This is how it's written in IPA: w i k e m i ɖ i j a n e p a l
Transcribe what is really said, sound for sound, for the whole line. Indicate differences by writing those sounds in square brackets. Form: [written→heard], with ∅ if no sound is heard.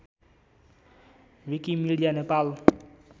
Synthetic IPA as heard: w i k [e→i] m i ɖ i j a n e p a l